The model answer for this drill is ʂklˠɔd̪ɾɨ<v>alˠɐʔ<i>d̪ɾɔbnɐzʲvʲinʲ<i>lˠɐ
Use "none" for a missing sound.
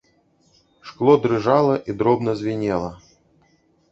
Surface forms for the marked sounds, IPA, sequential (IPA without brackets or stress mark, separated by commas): ʐ, i, ɛ